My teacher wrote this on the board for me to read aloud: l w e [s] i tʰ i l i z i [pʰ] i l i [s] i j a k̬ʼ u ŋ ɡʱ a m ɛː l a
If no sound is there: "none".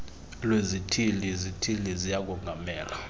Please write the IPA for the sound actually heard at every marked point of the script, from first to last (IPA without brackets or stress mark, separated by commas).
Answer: z, tʰ, z